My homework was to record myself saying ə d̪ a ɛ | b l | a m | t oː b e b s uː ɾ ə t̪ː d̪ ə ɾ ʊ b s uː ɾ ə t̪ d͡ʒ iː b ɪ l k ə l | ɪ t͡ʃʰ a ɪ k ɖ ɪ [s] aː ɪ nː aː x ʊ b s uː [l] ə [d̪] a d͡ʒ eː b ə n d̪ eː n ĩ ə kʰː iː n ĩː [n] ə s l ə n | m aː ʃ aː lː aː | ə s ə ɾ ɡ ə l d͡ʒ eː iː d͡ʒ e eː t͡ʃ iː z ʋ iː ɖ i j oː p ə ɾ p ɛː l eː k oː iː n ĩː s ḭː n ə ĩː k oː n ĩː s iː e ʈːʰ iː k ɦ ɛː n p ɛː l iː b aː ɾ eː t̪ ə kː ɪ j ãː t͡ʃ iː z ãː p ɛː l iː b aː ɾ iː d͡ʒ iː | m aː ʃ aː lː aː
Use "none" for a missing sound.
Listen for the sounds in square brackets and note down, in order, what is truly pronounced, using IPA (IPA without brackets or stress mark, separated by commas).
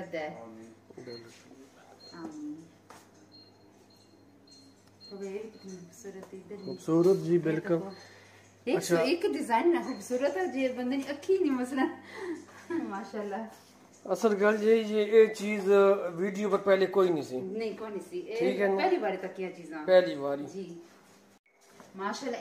z, ɾ, t̪, m